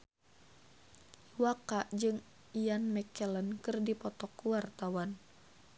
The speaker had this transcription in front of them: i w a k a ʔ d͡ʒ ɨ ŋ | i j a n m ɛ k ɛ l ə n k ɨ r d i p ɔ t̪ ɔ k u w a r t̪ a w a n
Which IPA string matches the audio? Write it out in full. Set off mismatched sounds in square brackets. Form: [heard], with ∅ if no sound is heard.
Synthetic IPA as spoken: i w a k a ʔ d͡ʒ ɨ ŋ | i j a n m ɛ k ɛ l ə n k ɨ r d i p ɔ t̪ ɔ k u w a r t̪ a w a n